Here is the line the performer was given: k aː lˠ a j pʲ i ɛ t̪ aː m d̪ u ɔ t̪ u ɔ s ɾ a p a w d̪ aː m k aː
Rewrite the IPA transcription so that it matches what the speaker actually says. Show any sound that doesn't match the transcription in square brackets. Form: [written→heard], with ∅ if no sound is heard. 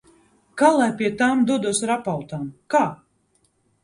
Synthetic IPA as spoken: k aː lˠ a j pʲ i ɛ t̪ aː m d̪ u ɔ [t̪→d̪] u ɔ s ɾ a p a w [d̪→t̪] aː m k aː